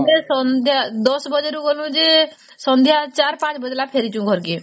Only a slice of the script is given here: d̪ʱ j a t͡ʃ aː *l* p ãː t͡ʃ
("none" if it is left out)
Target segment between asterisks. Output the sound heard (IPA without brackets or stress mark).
ɾ